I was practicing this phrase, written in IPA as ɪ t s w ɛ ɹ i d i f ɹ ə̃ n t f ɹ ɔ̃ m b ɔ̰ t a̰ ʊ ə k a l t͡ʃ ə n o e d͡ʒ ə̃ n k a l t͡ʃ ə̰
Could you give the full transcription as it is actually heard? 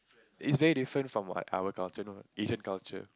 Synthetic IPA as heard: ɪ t s v ɛ ɹ i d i f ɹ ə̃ n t f ɹ ɔ̃ m w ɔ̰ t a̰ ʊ ə k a l t͡ʃ ə n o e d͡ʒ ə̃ n k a l t͡ʃ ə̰